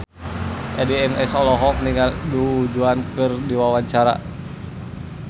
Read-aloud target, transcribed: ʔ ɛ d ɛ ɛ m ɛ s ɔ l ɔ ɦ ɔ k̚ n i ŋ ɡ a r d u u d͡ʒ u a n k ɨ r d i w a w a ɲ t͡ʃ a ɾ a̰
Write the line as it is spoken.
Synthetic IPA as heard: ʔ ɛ d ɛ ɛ m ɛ s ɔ l ɔ ɦ ɔ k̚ n i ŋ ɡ a l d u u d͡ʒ u a n k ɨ r d i w a w a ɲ t͡ʃ a ɾ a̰